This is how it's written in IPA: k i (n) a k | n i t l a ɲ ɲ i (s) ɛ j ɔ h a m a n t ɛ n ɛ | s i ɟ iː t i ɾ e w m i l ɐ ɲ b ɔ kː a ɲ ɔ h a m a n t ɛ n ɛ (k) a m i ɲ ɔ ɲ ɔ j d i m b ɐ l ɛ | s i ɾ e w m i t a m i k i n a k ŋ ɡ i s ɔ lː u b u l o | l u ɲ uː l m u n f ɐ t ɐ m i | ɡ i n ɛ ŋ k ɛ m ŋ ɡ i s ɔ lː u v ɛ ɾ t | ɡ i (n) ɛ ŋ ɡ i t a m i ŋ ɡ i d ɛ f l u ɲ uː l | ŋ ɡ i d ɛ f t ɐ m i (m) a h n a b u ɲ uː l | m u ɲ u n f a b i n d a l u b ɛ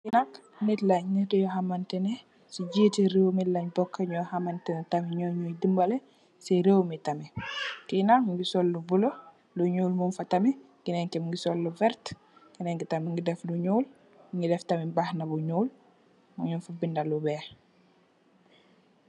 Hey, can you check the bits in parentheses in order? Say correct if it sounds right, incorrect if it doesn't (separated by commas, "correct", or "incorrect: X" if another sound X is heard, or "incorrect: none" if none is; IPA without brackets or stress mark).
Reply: correct, incorrect: t, incorrect: t, correct, incorrect: b